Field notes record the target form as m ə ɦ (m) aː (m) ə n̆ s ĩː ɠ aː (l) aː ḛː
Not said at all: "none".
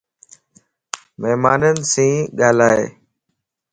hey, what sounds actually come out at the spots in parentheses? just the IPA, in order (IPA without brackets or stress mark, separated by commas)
m, n, l